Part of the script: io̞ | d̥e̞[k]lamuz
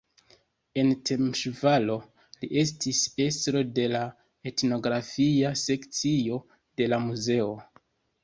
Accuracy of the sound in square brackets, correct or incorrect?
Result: incorrect